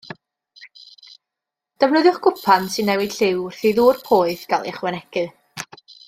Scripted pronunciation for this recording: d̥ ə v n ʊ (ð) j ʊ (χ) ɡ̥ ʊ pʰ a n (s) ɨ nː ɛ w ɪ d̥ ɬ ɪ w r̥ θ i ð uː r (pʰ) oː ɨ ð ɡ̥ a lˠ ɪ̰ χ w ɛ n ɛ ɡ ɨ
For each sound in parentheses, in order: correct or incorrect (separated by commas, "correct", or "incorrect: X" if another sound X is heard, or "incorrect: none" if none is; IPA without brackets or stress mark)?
correct, correct, correct, correct